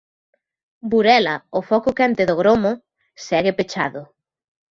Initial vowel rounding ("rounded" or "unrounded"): rounded